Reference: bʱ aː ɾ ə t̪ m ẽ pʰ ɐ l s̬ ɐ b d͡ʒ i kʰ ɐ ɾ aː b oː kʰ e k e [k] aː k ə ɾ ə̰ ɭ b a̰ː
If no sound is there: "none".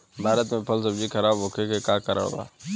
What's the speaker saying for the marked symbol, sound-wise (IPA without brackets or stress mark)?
k